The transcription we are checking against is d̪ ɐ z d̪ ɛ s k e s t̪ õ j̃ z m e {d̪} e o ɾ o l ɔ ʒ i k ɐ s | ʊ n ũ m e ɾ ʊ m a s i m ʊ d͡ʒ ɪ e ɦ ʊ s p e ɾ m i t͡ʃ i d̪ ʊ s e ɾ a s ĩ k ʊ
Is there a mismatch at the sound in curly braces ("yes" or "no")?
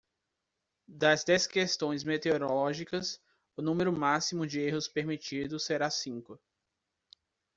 yes